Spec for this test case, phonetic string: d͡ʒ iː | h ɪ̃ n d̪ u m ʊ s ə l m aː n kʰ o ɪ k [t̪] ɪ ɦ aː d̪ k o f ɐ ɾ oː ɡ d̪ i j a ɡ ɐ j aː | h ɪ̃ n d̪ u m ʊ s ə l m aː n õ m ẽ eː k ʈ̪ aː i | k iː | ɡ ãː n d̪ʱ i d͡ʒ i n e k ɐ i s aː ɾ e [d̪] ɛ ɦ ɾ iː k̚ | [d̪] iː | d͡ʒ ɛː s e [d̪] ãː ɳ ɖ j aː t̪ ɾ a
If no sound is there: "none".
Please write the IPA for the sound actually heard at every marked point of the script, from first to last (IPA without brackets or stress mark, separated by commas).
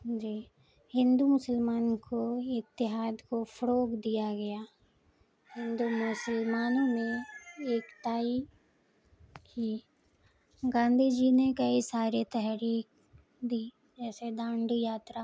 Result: t̪, t̪, d̪, d̪